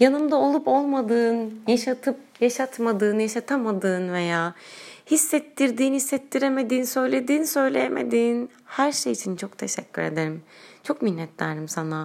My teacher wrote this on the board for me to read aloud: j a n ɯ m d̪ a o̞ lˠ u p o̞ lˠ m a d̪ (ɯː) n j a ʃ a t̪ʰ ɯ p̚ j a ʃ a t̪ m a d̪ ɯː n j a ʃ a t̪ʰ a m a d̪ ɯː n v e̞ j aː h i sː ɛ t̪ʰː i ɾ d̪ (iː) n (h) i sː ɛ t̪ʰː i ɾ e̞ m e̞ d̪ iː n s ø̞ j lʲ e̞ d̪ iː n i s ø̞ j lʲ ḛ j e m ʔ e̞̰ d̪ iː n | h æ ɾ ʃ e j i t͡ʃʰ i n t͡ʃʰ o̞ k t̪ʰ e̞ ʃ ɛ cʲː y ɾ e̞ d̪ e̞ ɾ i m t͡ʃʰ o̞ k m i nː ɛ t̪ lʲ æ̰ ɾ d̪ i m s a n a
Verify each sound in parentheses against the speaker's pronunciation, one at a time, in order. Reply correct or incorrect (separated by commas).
correct, correct, correct